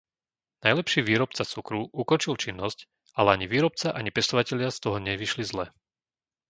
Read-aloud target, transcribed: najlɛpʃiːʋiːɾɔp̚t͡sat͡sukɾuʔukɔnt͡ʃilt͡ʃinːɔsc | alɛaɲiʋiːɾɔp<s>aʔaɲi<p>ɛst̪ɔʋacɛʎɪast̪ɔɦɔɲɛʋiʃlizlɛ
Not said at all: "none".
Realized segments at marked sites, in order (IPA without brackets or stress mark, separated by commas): t͡s, p